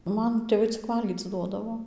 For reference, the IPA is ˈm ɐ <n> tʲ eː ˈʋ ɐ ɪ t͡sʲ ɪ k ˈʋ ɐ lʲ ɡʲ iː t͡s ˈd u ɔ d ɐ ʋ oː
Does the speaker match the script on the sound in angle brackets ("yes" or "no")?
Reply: yes